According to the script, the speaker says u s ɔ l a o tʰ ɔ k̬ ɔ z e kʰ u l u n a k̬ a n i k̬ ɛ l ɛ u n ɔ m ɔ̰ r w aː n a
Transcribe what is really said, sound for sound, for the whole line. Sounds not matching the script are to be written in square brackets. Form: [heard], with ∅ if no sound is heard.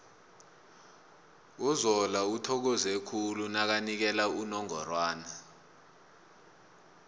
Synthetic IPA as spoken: u [z] ɔ l a [u] tʰ ɔ k̬ ɔ z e kʰ u l u n a k̬ a n i k̬ ɛ l [a] u n ɔ [ŋ] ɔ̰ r w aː n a